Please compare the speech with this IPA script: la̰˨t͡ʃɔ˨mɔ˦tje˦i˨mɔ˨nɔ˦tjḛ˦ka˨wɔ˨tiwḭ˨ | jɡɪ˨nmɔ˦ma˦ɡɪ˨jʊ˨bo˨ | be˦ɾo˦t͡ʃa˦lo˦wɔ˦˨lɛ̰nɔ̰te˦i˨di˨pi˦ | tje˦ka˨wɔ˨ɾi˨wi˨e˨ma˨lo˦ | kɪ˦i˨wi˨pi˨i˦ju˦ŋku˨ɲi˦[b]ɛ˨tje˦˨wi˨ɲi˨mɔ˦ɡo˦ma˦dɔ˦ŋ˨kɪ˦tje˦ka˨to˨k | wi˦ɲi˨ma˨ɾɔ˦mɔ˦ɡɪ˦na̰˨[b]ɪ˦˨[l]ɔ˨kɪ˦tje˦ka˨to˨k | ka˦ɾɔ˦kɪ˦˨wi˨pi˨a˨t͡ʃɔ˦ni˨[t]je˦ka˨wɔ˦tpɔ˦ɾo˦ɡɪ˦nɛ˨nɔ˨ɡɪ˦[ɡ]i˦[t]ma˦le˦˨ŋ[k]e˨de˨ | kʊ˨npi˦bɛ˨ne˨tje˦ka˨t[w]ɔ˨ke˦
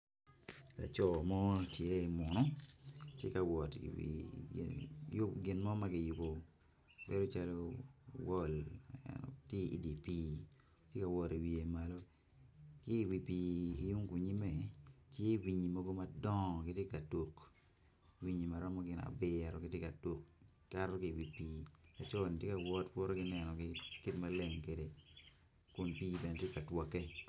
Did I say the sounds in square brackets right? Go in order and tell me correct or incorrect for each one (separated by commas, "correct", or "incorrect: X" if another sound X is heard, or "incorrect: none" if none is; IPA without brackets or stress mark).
incorrect: m, correct, incorrect: ɾ, correct, incorrect: k, correct, correct, correct